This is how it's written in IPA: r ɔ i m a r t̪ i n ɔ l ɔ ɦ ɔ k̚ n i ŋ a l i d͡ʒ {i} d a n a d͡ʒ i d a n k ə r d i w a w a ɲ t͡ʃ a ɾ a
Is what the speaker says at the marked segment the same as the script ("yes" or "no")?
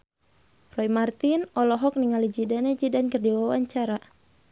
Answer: yes